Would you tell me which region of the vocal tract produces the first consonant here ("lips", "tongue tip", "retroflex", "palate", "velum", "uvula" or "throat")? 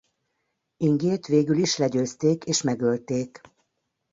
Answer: velum